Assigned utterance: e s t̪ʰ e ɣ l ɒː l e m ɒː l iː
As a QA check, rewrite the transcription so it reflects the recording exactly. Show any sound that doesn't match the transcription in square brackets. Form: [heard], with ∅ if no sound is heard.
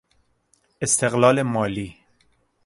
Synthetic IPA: e s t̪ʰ e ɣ l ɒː l e m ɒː l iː

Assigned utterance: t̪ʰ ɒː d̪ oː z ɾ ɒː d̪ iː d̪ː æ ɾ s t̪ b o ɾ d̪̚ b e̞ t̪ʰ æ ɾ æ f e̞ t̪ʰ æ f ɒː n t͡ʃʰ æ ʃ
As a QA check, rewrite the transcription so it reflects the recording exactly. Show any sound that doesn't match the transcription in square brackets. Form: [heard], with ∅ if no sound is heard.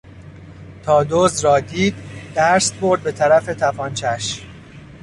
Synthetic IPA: t̪ʰ ɒː d̪ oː z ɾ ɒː d̪ iː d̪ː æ ɾ s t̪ b o ɾ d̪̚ b e̞ t̪ʰ æ ɾ æ f e̞ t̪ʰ æ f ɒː n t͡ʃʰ æ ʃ

